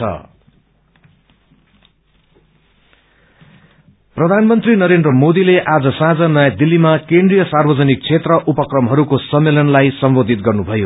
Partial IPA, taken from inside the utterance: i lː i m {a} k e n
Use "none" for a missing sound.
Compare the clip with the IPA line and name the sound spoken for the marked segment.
a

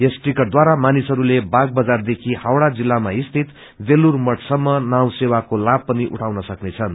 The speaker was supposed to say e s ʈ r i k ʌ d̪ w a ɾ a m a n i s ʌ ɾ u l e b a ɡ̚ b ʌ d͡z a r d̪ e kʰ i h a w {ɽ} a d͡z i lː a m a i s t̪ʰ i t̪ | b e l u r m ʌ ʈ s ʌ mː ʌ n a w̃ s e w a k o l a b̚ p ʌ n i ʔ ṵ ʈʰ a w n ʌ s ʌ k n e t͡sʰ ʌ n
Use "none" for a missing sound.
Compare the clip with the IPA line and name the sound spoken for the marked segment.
ɽ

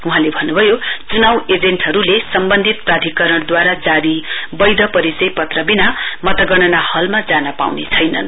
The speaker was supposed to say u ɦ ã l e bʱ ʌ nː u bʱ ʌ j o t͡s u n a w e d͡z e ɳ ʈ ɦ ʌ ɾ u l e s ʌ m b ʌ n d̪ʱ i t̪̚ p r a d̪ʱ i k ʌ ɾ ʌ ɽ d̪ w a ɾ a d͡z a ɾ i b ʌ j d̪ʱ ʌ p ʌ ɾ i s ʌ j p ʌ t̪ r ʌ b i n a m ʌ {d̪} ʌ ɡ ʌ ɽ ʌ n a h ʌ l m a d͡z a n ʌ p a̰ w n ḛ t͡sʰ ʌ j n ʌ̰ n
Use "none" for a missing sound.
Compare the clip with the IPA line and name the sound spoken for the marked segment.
t̪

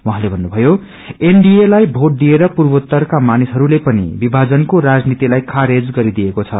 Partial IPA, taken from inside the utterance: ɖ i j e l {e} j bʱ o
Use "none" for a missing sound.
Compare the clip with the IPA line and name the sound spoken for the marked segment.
a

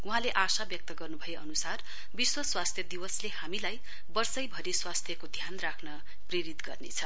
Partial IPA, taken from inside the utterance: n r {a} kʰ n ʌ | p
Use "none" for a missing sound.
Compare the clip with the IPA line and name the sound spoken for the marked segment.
a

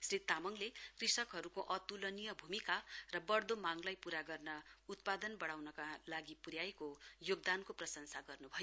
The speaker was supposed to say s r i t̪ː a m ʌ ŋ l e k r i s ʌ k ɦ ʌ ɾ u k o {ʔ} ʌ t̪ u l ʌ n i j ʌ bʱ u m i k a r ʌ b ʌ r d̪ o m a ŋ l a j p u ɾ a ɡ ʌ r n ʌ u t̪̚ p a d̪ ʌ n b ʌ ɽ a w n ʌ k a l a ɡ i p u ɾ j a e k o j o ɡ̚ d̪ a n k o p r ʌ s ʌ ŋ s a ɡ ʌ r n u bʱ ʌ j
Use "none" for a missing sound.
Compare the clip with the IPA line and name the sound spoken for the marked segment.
ʔ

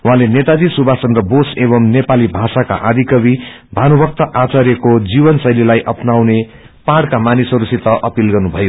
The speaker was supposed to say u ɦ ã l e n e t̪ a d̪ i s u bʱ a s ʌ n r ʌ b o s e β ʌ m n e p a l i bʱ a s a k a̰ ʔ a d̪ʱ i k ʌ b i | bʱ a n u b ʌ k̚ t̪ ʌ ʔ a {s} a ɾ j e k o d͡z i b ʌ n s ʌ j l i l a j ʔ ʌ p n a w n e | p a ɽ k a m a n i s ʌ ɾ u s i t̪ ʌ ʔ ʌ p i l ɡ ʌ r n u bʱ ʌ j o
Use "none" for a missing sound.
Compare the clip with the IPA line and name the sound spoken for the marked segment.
t͡s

